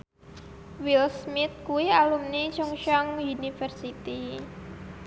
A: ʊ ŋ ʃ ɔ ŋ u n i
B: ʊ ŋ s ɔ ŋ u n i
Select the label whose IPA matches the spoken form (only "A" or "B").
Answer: A